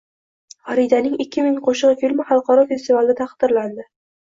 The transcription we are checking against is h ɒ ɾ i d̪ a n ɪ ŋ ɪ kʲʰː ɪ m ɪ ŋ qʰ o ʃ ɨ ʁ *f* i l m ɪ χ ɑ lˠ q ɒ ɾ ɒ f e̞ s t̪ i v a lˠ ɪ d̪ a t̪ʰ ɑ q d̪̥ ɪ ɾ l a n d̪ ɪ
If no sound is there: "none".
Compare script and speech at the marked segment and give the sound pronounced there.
f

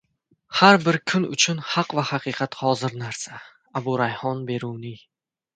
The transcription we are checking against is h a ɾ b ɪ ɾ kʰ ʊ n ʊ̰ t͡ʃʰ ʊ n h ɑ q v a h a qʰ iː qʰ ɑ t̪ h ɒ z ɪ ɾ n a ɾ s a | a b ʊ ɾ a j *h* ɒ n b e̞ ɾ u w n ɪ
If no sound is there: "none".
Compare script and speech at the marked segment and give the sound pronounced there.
h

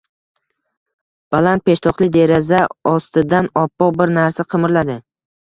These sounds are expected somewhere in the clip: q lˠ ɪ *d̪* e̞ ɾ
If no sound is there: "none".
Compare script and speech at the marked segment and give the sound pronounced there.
d̪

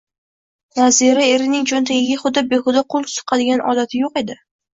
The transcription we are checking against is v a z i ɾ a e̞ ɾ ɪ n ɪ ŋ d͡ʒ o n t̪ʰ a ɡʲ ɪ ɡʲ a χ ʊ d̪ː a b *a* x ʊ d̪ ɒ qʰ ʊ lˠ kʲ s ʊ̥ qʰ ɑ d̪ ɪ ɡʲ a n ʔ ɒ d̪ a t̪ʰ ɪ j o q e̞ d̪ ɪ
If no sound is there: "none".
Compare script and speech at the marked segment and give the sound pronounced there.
e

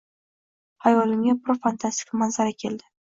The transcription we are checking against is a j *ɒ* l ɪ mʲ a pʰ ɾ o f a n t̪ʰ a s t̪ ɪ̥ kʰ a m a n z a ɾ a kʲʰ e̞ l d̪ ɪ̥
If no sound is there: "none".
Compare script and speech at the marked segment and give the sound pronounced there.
ɒ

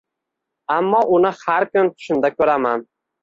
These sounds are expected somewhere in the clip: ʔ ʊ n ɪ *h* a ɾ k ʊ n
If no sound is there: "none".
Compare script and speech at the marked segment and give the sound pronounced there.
h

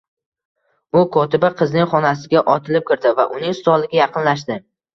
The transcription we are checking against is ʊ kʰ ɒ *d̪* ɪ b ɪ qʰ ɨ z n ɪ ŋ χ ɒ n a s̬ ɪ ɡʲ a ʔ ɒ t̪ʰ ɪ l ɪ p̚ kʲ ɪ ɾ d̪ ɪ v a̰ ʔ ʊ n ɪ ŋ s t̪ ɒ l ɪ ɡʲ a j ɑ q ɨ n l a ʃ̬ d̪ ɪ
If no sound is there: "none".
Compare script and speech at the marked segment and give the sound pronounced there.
t̪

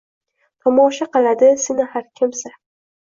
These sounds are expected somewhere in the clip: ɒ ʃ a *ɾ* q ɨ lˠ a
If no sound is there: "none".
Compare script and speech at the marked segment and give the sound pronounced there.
none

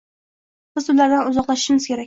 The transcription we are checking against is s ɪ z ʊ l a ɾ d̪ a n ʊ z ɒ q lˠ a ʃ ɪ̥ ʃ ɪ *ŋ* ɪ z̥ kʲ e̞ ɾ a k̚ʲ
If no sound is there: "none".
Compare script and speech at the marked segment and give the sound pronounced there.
m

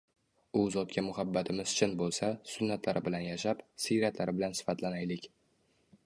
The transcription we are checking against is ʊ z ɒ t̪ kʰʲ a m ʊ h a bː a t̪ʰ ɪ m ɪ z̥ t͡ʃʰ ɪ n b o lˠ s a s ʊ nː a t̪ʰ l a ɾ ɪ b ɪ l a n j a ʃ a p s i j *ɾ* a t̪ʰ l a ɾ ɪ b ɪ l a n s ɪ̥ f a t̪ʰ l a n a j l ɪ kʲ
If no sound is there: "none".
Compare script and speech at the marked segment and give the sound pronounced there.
ɾ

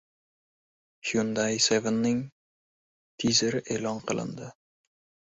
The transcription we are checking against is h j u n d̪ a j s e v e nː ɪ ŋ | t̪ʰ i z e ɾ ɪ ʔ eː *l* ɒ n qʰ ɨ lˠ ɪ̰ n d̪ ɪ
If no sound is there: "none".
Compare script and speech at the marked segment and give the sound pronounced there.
l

